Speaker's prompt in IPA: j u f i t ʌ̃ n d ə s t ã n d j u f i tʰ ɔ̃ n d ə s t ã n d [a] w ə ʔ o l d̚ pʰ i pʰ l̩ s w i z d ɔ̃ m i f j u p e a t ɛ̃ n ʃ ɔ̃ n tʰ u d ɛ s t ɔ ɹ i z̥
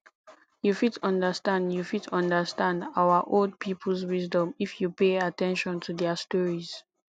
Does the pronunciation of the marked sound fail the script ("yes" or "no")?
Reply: no